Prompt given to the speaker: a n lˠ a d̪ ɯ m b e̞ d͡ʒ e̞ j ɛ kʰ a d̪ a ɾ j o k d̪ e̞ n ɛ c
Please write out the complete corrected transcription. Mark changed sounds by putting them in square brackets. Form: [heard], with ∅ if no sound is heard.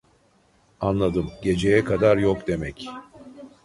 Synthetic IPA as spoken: a n lˠ a d̪ ɯ m [ɟ] e̞ d͡ʒ e̞ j ɛ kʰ a d̪ a ɾ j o k d̪ e̞ [m] ɛ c